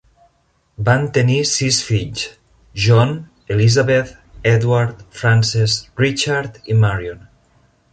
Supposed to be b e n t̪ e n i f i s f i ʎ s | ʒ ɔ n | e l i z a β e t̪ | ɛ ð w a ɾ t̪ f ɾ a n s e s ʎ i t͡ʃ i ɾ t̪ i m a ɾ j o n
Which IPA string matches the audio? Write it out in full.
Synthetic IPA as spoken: b a n t̪ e n i s i s f i ʎ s | ʒ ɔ n | e l i z a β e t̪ | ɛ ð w a ɾ t̪ f ɾ a n s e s r i t͡ʃ a ɾ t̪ i m a ɾ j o n